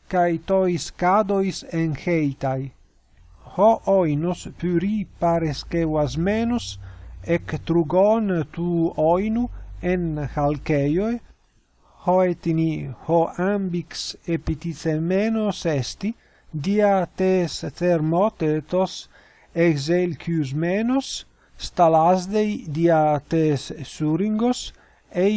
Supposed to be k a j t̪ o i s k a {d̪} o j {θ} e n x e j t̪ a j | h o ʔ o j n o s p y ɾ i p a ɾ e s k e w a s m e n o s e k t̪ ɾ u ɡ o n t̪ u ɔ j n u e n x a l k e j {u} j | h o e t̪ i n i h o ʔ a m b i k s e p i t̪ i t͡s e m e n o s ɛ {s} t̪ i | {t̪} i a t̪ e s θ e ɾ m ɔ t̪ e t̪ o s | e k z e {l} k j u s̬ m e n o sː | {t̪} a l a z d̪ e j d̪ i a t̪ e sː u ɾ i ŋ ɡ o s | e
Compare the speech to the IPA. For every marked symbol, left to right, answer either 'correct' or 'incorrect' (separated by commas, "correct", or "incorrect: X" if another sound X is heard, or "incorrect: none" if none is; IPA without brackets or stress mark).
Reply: correct, incorrect: s, incorrect: o, correct, incorrect: d̪, correct, correct